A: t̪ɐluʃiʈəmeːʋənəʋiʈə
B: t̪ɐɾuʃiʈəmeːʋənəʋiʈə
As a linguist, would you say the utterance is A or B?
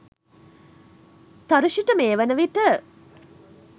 B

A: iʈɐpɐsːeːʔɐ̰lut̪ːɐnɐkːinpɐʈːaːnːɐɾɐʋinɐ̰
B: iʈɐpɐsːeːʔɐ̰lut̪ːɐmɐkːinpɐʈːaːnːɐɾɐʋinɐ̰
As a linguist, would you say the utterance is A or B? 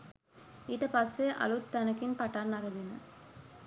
A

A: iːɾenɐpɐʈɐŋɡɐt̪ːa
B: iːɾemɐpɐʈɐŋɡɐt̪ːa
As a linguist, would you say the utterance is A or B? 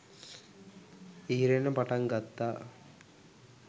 A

